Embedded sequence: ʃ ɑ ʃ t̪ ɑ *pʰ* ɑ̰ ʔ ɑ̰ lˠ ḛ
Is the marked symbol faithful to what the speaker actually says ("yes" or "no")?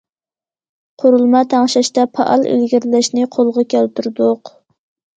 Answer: yes